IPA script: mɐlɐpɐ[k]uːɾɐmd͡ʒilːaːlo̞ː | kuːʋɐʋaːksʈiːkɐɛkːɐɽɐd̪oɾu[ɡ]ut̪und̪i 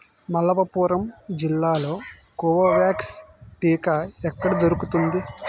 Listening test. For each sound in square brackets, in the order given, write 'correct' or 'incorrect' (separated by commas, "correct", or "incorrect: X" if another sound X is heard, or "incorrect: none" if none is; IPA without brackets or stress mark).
incorrect: p, incorrect: k